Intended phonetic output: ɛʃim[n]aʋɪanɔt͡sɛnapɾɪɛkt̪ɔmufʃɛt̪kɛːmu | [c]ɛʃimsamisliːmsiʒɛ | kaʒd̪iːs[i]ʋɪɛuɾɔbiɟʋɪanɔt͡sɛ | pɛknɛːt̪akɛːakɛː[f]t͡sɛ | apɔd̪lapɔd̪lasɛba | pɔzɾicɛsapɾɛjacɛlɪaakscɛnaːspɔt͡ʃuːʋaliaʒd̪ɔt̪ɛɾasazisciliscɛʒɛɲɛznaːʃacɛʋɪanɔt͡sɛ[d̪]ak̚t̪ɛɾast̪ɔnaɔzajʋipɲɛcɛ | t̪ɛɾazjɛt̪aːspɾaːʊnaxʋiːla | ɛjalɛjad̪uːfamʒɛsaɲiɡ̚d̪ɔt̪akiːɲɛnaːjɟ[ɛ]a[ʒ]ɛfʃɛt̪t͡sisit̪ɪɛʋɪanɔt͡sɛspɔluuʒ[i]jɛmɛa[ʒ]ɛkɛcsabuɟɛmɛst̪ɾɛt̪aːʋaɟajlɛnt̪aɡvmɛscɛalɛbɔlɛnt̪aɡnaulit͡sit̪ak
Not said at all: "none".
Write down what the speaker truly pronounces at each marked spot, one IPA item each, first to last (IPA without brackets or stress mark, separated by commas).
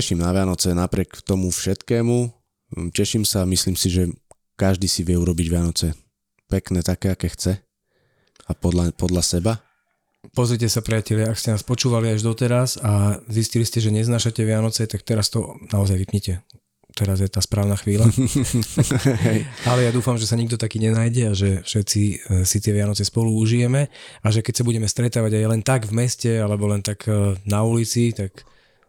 n, c, i, x, t̪, ɛ, ʒ, i, ʒ